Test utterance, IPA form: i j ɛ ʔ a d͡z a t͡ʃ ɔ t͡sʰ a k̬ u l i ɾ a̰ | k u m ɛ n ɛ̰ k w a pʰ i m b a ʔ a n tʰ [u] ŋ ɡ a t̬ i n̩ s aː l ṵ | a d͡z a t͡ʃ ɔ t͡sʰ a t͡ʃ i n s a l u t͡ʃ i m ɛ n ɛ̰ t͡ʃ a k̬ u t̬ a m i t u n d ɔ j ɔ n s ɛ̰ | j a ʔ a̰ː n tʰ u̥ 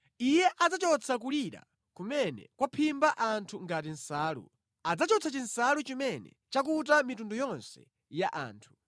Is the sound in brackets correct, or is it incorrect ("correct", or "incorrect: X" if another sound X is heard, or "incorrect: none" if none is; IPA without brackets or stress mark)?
correct